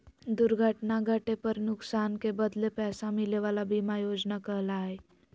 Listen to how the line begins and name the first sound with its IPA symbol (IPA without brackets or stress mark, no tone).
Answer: d̪